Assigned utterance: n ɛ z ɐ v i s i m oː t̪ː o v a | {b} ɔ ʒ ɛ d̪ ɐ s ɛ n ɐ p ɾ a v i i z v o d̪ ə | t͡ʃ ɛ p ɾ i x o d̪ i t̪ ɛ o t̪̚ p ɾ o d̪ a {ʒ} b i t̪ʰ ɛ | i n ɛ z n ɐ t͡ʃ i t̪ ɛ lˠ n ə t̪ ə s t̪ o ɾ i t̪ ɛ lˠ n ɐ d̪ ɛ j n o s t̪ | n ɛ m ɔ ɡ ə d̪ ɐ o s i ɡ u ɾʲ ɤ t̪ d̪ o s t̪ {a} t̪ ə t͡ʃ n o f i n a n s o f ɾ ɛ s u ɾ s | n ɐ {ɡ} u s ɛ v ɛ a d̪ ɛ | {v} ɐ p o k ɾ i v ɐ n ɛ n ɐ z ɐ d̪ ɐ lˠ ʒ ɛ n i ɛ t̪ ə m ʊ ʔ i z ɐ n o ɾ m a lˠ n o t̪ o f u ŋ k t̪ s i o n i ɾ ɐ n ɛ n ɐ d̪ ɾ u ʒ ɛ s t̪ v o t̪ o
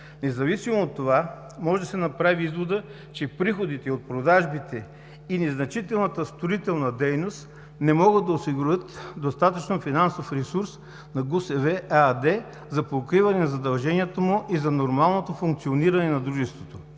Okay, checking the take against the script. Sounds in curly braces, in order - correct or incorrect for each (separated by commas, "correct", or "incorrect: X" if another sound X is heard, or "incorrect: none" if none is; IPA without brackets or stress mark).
incorrect: m, correct, correct, correct, incorrect: z